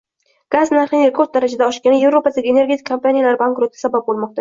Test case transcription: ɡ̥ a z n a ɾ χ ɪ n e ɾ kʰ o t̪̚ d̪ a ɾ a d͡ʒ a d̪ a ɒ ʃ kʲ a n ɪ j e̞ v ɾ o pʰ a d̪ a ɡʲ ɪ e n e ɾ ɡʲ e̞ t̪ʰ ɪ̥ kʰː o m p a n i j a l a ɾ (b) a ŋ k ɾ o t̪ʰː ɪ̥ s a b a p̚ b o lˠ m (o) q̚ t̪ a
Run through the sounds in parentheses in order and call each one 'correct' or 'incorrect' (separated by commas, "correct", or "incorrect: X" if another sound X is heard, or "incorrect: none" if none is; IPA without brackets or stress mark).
correct, incorrect: ɒ